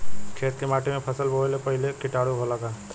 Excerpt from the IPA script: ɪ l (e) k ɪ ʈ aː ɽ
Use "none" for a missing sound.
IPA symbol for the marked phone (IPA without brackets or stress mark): e